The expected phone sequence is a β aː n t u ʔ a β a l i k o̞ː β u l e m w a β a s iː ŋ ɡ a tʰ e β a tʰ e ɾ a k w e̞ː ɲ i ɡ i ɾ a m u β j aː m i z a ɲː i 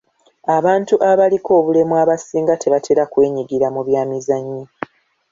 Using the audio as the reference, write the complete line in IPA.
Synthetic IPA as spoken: a β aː n t u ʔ a β a l i k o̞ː β u l e m w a β a s iː ŋ ɡ a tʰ e β a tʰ e ɾ a k w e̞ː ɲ i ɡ i ɾ a m u β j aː m i z a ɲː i